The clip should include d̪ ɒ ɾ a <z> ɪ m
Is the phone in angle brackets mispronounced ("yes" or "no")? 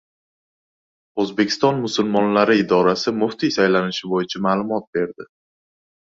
yes